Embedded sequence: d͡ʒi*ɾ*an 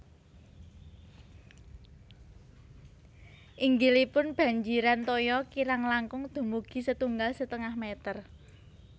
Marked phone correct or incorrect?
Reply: correct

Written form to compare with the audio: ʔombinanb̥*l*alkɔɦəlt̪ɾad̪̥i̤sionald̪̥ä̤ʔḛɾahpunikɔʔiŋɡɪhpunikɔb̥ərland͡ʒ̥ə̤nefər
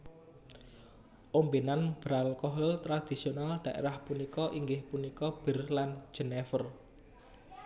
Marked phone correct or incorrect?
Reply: incorrect: ɾ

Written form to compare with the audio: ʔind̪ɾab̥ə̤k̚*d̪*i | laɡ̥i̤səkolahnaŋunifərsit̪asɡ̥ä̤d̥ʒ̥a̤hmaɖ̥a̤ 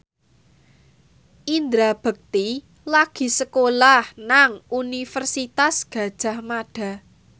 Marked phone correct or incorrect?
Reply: incorrect: t̪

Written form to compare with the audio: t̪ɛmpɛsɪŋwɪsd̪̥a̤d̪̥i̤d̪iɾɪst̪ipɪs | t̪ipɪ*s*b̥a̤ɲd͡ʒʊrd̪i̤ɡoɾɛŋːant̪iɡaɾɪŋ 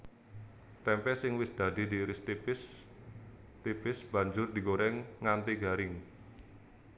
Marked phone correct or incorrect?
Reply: correct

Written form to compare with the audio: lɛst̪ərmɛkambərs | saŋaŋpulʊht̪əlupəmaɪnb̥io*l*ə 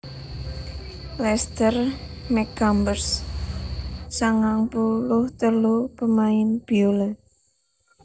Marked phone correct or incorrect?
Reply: correct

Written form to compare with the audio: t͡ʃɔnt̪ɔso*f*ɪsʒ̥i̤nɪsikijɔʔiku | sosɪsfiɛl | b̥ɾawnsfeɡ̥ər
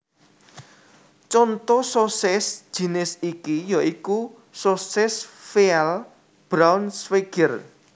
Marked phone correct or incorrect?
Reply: incorrect: s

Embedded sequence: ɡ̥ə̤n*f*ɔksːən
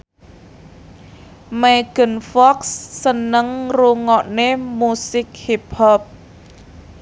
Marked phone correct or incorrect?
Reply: correct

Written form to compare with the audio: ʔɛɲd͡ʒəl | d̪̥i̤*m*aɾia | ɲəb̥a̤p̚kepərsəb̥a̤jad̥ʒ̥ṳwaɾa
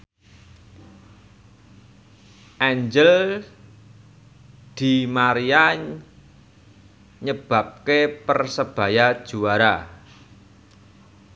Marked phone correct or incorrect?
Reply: correct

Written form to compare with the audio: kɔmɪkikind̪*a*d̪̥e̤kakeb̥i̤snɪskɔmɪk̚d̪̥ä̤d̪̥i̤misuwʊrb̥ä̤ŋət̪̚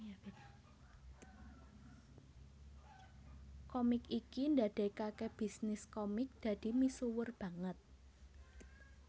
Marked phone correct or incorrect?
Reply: correct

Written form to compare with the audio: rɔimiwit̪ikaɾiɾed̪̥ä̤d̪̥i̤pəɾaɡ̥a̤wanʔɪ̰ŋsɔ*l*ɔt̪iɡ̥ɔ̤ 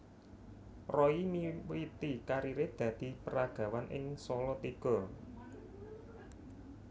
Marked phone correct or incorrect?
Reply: correct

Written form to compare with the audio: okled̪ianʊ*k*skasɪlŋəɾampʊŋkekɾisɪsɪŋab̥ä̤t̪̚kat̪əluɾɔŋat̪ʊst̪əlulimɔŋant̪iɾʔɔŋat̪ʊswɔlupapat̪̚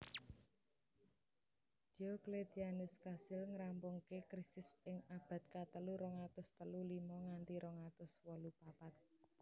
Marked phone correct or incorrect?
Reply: incorrect: none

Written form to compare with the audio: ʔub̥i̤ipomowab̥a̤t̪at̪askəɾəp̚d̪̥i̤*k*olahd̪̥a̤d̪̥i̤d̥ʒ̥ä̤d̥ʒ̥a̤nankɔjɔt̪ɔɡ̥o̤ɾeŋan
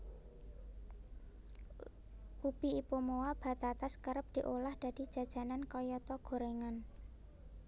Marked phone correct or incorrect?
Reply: incorrect: ʔ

